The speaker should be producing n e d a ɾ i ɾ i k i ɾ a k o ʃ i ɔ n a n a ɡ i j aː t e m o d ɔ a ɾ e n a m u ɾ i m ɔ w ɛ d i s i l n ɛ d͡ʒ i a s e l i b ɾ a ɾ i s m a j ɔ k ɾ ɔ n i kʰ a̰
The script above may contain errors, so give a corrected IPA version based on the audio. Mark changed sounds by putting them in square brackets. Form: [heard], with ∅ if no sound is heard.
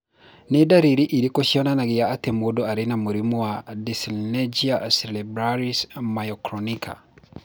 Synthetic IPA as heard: n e d a ɾ i ɾ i [ʔ] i ɾ [i] k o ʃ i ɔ n a n a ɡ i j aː t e m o d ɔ a ɾ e n a m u ɾ i m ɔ w [a] d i s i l n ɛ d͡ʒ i a s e l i b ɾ a ɾ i s m a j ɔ k ɾ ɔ n i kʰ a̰